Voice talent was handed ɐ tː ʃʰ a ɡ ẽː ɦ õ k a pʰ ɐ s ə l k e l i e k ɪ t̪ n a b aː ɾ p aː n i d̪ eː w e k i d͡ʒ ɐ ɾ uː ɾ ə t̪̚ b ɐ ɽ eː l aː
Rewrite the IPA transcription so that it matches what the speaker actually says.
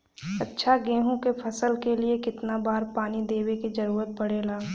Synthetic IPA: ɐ tː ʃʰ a ɡ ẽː ɦ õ k e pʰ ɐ s ə l k e l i e k ɪ t̪ n a b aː ɾ p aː n i d̪ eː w e k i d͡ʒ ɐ ɾ uː ɾ ə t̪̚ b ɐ ɽ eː l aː